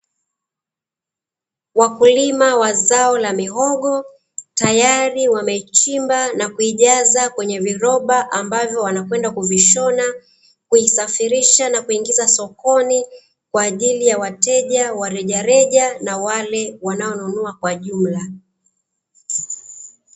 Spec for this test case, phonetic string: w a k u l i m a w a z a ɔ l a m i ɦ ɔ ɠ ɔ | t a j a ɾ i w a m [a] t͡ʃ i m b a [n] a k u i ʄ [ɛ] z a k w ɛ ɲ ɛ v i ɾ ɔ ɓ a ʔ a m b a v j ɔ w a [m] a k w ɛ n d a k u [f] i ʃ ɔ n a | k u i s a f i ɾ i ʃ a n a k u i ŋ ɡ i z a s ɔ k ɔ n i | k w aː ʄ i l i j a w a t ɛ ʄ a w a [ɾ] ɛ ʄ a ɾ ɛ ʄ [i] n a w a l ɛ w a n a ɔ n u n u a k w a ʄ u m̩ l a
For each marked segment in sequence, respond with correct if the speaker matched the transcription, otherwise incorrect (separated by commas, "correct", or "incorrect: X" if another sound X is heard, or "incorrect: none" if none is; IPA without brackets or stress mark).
incorrect: ɛ, correct, incorrect: a, incorrect: n, incorrect: v, correct, incorrect: a